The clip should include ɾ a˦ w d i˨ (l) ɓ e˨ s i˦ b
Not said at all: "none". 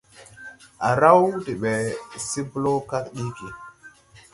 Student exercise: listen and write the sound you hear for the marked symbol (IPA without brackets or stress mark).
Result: none